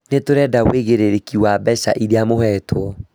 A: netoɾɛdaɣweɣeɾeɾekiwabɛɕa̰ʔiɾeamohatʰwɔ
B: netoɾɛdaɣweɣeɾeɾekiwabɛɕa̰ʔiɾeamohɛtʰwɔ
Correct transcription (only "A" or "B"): B